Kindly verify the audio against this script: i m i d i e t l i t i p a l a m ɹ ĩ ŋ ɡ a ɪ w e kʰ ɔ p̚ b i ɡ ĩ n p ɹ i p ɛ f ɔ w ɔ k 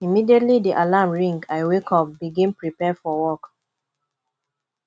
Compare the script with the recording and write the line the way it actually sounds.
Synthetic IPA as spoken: i m i d i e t l i d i ʔ a l a m ɹ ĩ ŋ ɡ a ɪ w e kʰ ɔ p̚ b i ɡ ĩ n p ɹ i p ɛ f ɔ w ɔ k